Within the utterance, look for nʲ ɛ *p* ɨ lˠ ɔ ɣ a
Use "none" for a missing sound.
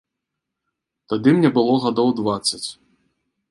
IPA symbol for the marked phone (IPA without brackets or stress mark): b